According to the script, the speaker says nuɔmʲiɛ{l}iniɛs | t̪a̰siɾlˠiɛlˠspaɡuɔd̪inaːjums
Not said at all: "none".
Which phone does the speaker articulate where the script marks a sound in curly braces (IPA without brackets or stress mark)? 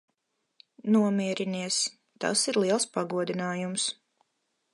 ɾ